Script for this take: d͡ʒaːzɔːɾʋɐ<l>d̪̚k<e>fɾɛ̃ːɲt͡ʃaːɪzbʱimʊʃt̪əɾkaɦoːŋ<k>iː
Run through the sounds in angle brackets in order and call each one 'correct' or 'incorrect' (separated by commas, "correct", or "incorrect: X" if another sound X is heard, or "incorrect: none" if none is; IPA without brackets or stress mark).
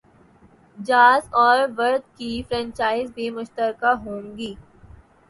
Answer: incorrect: ɾ, incorrect: i, incorrect: ɡ